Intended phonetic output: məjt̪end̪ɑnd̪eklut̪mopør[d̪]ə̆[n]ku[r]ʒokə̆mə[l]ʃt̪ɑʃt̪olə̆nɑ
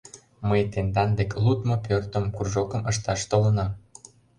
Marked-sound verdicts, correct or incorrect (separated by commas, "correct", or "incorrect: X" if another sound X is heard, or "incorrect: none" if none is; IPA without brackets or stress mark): incorrect: t̪, incorrect: m, correct, incorrect: none